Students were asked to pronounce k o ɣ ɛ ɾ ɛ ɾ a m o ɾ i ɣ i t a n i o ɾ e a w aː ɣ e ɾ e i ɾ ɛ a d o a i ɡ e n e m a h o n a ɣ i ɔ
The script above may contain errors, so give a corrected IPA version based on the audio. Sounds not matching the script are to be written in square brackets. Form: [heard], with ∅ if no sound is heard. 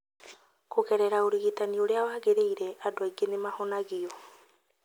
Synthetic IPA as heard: k o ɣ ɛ ɾ ɛ ɾ a [∅] o ɾ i ɣ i t a n i o ɾ e a w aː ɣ e ɾ e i ɾ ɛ a d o a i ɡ e n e m a h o n a ɣ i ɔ